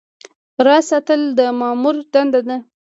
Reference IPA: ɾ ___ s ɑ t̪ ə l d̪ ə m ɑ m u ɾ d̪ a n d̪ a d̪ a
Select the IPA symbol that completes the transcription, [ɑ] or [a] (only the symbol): ɑ